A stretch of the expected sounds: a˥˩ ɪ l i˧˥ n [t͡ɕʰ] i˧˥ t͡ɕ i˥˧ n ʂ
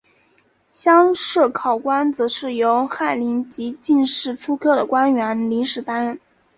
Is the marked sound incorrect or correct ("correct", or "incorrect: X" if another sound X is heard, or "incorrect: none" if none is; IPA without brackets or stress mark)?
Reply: incorrect: t͡ɕ